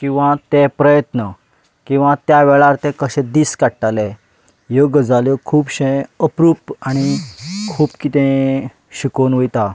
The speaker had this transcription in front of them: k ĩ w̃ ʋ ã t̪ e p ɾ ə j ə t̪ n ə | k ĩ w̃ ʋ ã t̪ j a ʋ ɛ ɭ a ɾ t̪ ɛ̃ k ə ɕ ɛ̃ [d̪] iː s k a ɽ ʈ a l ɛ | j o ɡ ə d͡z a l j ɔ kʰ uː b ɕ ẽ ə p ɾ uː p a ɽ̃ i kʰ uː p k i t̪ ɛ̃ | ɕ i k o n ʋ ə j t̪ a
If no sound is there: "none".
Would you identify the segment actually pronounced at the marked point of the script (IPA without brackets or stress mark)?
d̪